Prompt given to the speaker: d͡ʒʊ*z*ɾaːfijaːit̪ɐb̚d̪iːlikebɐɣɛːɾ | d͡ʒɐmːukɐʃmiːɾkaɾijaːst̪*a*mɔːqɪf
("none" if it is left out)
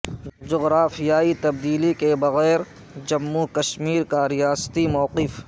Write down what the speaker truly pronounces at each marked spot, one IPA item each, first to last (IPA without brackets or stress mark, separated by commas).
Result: ɣ, i